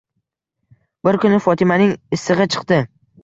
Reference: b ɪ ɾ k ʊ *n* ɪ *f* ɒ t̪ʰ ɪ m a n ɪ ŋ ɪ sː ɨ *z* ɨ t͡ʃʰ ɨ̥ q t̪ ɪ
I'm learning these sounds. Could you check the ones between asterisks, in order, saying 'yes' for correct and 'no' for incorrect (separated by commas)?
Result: yes, yes, no